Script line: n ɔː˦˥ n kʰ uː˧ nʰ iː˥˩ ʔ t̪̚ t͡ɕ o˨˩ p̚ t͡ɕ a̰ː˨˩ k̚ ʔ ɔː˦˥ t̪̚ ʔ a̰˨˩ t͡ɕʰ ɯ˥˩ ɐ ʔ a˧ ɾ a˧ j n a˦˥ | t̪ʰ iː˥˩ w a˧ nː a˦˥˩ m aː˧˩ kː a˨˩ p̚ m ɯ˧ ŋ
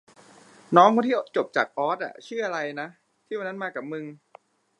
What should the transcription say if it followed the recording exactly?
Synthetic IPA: n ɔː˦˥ ŋ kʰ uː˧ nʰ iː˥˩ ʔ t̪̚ t͡ɕ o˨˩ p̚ t͡ɕ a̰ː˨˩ k̚ ʔ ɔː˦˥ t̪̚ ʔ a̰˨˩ t͡ɕʰ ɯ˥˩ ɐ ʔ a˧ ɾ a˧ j n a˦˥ | t̪ʰ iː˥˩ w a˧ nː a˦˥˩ m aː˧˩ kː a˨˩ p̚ m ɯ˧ ŋ